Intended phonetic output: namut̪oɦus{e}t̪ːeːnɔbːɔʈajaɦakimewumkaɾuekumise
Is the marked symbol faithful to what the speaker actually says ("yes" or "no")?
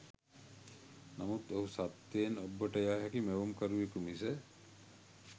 no